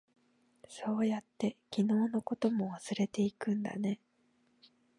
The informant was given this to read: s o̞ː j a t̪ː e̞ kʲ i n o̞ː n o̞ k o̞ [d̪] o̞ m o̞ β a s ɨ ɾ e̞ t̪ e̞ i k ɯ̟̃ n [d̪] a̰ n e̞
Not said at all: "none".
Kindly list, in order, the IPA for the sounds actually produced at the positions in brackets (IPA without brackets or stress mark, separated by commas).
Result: t̪, d̪